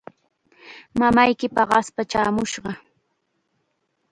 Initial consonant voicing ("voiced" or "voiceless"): voiced